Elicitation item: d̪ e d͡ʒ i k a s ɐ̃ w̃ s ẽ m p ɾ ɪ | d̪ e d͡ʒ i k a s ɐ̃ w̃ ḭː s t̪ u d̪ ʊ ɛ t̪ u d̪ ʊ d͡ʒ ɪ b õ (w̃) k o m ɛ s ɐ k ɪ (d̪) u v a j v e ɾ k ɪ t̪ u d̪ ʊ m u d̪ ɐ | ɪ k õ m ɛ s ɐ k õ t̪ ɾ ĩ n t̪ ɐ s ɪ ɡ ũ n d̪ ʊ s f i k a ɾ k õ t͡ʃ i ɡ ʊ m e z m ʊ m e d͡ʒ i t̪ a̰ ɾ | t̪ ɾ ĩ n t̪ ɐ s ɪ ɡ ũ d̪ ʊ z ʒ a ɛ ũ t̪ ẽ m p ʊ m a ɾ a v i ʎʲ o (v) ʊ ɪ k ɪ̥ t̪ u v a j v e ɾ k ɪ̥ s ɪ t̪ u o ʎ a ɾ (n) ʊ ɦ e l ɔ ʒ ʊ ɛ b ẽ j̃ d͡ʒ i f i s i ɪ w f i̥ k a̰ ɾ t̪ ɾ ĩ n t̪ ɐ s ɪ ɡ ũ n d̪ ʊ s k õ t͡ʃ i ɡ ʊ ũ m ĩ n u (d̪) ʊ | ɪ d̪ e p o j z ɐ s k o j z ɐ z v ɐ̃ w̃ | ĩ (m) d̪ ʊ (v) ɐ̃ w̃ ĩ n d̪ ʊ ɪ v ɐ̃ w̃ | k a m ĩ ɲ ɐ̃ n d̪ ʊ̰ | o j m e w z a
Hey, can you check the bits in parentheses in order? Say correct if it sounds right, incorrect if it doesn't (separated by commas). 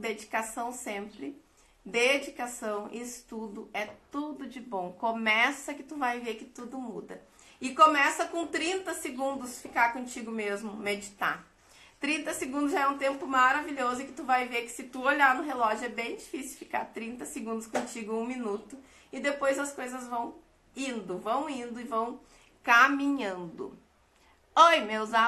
correct, incorrect, incorrect, correct, incorrect, incorrect, correct